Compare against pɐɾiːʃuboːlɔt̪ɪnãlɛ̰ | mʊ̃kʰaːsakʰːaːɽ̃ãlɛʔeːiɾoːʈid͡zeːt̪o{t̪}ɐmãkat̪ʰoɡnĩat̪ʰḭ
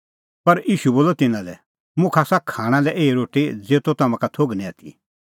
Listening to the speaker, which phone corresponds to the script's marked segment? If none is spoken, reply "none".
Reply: t̪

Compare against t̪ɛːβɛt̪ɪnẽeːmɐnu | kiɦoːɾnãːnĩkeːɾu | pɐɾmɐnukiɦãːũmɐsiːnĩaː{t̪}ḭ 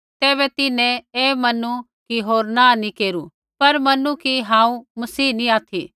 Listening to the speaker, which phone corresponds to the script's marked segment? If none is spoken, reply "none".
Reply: t̪ʰ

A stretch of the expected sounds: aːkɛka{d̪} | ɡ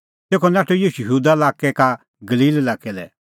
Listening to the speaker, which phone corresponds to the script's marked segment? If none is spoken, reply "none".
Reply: none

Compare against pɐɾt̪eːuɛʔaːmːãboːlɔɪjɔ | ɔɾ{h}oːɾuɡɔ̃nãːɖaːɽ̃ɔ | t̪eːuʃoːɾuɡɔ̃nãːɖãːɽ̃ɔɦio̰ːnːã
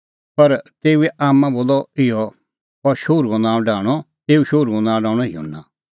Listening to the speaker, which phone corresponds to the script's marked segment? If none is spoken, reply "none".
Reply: ʃ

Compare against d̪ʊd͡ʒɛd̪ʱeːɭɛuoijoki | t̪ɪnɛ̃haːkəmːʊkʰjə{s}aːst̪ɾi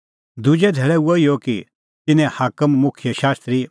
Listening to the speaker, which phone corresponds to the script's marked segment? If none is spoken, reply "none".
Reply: ʃ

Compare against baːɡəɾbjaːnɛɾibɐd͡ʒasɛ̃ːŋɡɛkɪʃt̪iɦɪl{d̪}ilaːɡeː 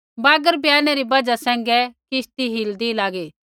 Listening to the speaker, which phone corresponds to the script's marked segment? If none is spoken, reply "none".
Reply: d̪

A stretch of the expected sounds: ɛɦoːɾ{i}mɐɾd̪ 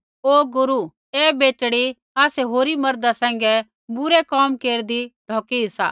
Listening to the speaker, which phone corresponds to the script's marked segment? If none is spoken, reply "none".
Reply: i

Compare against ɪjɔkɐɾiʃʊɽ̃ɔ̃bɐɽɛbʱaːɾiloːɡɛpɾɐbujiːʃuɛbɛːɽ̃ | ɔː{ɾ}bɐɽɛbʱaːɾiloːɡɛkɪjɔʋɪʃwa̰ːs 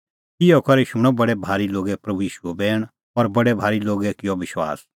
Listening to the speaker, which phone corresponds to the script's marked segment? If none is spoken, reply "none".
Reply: ɾ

